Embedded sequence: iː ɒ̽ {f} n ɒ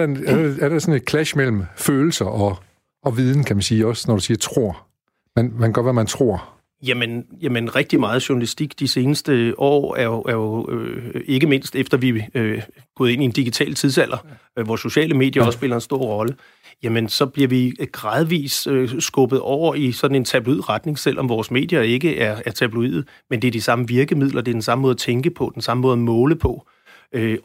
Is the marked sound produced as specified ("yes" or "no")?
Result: no